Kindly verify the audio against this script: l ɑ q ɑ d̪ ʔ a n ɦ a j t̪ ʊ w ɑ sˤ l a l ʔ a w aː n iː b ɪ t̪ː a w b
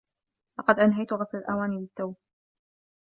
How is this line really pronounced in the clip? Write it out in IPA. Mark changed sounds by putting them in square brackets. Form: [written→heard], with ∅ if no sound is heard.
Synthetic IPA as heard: l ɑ q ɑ d̪ ʔ a n ɦ a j t̪ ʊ [w→ɣ] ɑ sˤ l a l ʔ a w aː n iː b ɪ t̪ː a w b